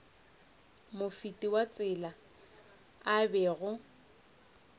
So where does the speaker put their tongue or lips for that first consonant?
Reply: lips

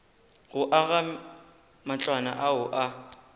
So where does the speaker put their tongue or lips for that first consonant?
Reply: velum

